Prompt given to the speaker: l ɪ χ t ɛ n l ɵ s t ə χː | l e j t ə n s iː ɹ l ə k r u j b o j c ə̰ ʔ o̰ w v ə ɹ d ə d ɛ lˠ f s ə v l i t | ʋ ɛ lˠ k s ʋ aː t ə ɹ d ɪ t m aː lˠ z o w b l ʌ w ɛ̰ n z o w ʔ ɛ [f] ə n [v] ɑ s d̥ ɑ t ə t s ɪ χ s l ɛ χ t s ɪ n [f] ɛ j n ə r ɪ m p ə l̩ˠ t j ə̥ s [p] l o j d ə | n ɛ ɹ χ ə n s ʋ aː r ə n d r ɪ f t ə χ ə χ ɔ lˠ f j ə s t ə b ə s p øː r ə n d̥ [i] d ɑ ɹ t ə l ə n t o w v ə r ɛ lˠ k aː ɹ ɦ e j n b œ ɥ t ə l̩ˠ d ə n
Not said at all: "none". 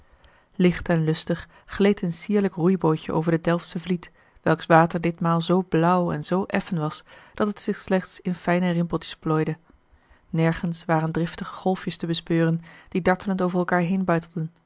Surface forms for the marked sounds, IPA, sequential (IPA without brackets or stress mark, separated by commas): f, ʋ, f, p, i